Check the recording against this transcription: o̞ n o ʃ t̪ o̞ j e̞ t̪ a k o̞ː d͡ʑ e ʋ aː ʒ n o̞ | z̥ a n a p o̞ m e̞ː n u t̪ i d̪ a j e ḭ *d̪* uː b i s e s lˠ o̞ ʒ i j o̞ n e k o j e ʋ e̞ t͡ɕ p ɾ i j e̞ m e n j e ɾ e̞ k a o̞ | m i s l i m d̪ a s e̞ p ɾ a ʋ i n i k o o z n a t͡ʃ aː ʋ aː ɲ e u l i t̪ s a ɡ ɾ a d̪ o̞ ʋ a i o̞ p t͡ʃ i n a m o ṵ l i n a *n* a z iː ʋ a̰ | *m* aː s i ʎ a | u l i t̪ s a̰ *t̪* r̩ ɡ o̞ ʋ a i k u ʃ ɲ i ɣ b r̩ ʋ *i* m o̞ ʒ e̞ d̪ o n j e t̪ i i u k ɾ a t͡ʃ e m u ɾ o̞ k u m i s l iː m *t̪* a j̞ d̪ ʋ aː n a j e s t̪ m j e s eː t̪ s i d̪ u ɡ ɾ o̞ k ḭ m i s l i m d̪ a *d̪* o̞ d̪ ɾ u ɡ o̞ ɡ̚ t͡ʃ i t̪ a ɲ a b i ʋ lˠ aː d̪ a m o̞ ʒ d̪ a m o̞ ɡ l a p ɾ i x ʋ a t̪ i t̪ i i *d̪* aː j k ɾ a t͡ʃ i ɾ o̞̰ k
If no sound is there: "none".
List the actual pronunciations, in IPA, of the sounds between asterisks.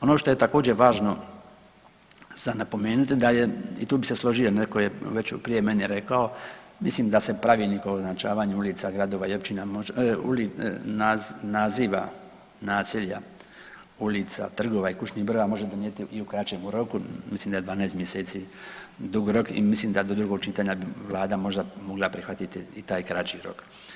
t̪, n, n, t̪, a, d̪, d̪, t̪

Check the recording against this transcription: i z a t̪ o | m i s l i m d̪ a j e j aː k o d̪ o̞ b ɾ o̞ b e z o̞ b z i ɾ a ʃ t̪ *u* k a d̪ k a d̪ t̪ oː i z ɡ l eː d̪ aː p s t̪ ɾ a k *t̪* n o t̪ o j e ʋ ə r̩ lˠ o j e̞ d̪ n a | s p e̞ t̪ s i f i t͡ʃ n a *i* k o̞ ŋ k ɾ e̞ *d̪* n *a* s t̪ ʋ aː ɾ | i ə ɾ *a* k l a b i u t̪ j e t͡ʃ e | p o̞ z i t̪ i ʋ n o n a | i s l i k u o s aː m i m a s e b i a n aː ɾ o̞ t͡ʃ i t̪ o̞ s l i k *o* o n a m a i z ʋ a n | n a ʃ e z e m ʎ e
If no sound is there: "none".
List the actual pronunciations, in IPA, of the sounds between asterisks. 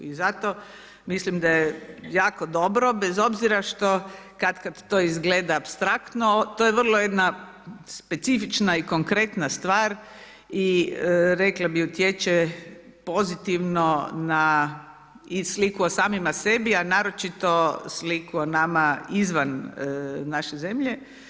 o, t̪, i, t̪, a, e, u

